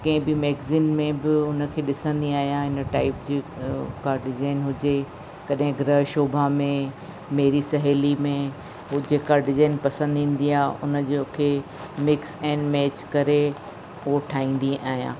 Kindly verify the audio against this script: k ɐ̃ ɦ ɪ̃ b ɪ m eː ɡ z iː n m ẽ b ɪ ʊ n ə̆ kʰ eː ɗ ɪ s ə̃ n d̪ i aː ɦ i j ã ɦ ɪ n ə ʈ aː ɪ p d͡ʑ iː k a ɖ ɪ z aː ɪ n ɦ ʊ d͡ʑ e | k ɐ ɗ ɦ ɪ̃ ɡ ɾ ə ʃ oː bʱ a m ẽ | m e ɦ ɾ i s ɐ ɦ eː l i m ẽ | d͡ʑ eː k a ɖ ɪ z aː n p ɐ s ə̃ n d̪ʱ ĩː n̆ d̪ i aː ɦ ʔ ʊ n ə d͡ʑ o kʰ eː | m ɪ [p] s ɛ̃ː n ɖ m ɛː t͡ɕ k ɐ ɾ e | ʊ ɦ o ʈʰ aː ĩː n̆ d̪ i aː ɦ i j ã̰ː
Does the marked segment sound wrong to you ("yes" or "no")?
yes